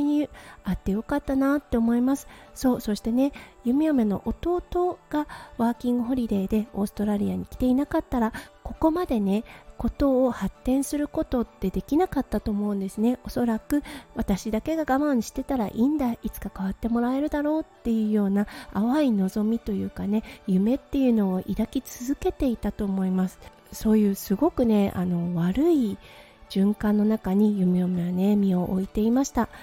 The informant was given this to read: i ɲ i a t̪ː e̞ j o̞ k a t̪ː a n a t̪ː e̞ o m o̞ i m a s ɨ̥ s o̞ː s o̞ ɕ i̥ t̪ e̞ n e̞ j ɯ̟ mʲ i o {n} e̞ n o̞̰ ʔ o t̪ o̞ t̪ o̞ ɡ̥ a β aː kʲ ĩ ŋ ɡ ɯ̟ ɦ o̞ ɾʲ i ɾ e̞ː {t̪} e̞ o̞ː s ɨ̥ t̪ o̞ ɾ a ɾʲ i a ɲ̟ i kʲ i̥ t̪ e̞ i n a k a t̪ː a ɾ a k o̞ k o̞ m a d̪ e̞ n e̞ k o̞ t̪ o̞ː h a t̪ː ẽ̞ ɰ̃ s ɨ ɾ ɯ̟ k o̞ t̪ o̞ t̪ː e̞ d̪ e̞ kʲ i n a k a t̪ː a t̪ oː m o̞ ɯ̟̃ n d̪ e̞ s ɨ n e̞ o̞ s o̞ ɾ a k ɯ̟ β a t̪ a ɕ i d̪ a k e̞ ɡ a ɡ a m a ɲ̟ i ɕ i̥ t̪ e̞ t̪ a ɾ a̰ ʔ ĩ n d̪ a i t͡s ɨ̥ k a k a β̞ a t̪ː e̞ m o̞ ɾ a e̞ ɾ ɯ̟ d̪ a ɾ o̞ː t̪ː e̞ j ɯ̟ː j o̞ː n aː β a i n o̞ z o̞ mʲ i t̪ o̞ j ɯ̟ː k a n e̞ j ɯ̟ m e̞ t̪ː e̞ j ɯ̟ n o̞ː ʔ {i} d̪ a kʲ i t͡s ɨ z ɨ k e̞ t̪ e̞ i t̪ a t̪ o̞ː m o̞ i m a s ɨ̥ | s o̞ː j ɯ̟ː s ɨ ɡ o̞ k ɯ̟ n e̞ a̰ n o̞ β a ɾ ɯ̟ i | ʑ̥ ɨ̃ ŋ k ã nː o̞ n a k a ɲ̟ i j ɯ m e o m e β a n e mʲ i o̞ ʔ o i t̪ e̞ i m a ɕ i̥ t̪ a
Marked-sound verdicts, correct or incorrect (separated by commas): incorrect, incorrect, correct